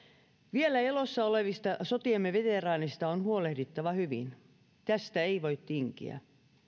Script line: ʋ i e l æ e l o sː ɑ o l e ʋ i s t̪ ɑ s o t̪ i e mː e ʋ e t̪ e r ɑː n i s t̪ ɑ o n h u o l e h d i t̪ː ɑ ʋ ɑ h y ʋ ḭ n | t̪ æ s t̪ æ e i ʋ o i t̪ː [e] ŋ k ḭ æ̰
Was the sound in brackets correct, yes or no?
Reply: no